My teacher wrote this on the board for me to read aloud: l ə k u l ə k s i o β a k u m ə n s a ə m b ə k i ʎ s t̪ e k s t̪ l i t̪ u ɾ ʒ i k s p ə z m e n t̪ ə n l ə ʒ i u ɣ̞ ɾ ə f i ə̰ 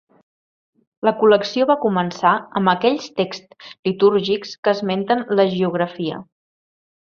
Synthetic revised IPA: l ə k u l ə k s i o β a k u m ə n s a ə m b ə k ɛ ʎ s t̪ e k s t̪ l i t̪ u ɾ ʒ i k s k ə z m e n t̪ ə n l ə ʒ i u ɣ̞ ɾ ə f i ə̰